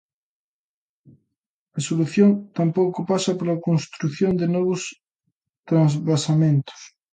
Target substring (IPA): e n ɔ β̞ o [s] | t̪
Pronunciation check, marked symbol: correct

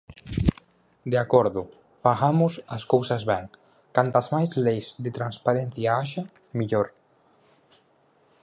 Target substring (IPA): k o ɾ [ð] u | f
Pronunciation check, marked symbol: correct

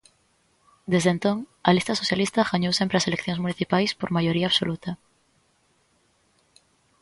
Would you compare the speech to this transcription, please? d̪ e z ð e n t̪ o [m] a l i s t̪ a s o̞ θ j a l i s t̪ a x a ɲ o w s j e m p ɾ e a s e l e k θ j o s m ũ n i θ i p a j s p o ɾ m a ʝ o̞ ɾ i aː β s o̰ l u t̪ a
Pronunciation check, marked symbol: incorrect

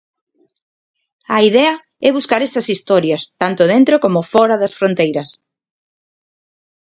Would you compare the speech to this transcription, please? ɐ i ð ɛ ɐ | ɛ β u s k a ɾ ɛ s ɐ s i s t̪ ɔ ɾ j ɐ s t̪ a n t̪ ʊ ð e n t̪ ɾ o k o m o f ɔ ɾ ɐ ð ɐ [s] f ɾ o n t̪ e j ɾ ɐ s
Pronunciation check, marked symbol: correct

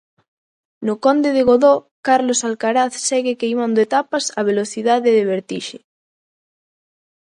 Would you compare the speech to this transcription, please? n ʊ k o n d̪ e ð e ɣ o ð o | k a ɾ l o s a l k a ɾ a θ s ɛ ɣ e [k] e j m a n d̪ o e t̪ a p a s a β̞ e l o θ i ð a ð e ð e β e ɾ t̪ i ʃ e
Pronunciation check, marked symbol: correct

